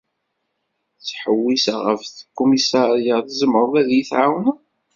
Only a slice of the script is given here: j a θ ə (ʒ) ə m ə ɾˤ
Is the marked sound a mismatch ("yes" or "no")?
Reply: yes